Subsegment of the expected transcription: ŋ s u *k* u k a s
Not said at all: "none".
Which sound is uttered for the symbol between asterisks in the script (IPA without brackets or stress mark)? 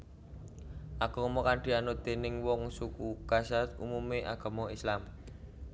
k